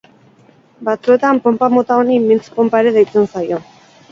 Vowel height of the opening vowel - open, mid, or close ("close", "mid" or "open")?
open